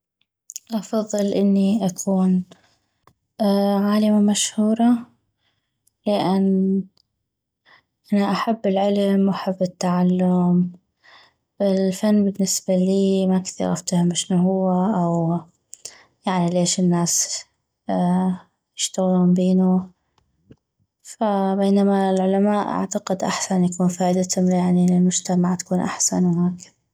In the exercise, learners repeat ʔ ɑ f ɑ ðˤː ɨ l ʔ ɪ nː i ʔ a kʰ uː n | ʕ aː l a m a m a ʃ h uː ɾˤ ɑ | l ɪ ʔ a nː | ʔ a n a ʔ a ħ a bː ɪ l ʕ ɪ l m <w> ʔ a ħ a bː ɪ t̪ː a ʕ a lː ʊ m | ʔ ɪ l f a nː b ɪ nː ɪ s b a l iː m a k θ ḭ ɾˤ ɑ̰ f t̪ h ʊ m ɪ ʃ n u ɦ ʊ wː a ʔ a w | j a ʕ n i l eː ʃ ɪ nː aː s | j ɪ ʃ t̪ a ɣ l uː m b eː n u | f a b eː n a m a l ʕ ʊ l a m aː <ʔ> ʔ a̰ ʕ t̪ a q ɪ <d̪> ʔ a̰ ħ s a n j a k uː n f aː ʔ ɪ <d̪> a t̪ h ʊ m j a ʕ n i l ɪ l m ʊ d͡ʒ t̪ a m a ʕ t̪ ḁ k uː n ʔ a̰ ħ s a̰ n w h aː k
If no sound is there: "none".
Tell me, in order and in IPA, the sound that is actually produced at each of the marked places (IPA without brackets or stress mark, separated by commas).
w, ʔ, d̪, d̪